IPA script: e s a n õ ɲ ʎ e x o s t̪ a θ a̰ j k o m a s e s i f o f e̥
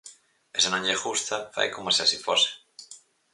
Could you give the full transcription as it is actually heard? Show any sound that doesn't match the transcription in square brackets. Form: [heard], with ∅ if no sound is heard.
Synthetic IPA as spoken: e s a n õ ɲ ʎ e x [u] s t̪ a [f] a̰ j k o m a s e s i f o [s] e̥